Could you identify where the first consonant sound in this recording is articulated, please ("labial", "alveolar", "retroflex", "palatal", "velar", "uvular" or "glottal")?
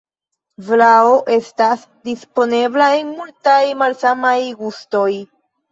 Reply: labial